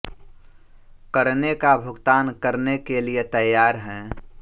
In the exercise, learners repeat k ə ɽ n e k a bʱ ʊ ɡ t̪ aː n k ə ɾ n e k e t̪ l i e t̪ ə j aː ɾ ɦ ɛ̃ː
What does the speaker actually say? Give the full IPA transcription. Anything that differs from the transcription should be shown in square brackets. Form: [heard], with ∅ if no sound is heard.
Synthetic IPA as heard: k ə [ɾ] n e k a bʱ ʊ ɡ t̪ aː n k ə ɾ n e k e [∅] l i e t̪ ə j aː ɾ ɦ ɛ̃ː